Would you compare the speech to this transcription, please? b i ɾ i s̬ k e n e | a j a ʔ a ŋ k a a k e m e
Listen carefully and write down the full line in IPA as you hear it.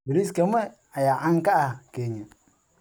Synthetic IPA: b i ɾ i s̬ k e m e | a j a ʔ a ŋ k a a k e ɲ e